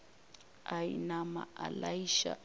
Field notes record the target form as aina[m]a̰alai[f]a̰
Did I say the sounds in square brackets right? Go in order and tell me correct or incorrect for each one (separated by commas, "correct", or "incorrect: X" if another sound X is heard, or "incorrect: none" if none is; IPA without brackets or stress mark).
correct, incorrect: ʃ